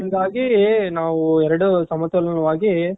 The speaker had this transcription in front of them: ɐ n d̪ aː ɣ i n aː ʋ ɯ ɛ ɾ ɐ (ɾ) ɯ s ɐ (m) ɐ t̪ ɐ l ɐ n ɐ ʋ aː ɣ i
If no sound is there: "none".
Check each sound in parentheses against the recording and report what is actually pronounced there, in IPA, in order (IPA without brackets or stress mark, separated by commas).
ɽ, m